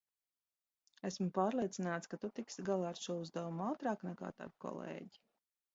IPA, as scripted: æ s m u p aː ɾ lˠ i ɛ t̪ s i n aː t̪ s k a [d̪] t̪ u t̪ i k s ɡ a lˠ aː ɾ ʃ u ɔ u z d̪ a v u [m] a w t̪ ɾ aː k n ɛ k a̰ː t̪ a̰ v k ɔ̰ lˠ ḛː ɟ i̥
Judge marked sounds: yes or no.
no, yes

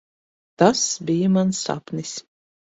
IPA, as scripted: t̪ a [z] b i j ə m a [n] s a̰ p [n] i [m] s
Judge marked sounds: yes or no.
no, yes, yes, no

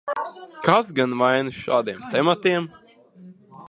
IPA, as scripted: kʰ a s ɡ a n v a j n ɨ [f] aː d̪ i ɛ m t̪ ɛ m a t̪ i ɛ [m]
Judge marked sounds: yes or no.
no, yes

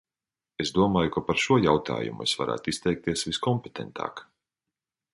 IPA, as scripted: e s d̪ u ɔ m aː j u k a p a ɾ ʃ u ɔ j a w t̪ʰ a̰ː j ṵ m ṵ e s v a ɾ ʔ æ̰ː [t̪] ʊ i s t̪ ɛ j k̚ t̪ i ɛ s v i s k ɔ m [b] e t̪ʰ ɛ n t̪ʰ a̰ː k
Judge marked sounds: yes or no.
yes, no

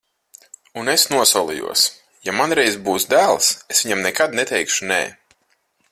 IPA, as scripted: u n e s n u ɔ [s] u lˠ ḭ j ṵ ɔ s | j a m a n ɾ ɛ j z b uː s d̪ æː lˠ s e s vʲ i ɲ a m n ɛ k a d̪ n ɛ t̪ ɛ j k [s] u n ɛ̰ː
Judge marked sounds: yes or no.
yes, no

